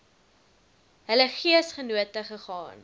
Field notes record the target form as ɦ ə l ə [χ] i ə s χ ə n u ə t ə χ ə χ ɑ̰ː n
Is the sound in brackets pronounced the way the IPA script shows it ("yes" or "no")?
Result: yes